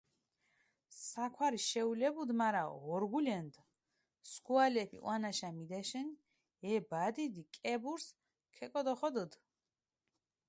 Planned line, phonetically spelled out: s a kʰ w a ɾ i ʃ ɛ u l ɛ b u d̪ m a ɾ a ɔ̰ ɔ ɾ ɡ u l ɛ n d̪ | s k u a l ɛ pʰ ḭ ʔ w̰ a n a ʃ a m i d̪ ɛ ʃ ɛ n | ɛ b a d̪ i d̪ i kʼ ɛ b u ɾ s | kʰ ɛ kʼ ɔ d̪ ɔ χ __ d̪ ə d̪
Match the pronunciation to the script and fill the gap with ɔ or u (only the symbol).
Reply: ɔ